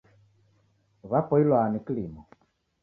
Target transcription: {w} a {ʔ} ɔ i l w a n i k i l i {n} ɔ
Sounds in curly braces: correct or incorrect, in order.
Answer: incorrect: β, incorrect: p, incorrect: m

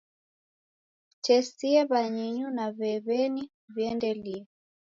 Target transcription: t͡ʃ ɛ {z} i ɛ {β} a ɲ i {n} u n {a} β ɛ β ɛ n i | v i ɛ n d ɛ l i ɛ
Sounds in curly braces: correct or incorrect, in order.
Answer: incorrect: s, correct, incorrect: ɲ, correct

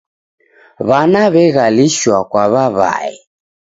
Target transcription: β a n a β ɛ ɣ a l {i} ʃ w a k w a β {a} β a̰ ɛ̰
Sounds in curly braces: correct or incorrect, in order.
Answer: correct, correct

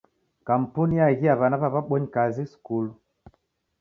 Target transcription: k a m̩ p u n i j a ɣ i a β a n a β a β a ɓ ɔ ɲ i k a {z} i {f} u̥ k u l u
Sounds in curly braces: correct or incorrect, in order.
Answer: correct, incorrect: s

